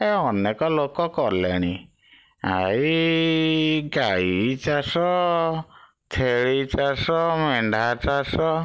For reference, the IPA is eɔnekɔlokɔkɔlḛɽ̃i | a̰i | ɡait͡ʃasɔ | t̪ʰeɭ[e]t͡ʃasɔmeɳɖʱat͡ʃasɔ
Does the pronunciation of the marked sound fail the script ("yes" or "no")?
yes